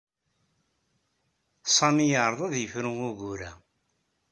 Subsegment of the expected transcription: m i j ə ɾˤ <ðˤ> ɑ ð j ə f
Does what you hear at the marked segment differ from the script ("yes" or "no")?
no